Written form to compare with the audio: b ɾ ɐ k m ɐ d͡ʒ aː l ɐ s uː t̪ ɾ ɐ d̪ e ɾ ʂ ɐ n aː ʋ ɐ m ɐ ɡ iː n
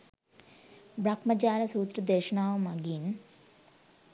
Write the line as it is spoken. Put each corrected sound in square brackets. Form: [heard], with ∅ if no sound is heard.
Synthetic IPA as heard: b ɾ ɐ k m ɐ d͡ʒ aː l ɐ s uː t̪ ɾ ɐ d̪ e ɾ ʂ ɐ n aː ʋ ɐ m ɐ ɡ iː n